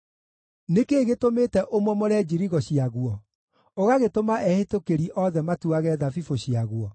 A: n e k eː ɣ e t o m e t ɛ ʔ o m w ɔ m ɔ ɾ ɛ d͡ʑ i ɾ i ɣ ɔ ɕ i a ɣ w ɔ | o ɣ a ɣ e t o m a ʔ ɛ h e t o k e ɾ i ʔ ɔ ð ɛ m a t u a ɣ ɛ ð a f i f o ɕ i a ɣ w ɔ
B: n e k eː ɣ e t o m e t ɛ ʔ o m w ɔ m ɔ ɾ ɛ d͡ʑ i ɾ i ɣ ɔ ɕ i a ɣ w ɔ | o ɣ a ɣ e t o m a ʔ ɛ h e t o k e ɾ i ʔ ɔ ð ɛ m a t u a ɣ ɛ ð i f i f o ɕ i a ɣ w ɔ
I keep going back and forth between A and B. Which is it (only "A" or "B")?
A